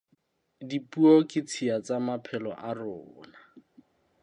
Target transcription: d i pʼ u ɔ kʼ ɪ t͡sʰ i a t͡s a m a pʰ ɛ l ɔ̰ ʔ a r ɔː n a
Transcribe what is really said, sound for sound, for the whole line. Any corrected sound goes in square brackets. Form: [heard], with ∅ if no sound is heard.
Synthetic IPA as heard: d i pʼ u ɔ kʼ ɪ t͡sʰ i a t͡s a m a pʰ ɛ l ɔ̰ ʔ a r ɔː n a